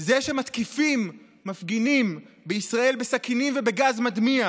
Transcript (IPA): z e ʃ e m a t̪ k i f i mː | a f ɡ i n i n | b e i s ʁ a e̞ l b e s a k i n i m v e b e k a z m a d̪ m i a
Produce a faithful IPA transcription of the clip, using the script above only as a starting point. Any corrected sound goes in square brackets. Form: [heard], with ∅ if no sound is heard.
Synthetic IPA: z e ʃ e m a t̪ k i f i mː | a f ɡ i n i [m] | b e i s ʁ a e̞ l b e s a k i n i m v e b e [ɡ] a z m a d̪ m i a